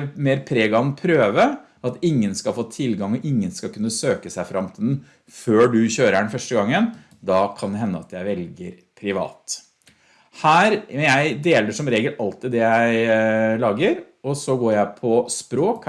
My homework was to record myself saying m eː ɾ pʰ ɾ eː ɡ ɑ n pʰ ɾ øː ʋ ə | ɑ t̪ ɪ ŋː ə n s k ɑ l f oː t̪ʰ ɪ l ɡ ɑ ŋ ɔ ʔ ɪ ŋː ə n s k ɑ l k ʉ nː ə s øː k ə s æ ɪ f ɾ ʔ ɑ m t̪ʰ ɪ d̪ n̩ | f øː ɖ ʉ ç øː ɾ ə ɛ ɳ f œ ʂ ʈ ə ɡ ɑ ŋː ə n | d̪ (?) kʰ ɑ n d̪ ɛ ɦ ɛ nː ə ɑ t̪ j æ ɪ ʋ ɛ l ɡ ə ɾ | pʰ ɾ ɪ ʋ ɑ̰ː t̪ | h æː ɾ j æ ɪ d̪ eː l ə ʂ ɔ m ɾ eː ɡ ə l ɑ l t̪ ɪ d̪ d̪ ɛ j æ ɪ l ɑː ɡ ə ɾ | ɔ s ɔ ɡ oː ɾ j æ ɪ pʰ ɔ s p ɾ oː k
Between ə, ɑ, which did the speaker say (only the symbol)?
ɑ